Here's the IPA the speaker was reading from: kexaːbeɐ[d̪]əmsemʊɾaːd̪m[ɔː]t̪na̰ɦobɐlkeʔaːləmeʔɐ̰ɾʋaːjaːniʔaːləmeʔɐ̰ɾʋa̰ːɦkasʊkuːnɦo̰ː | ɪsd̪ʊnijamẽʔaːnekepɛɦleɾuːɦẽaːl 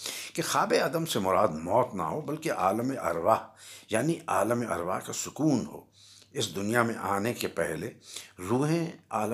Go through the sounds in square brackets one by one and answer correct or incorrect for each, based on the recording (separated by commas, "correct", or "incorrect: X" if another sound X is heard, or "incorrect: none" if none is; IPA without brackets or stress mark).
correct, correct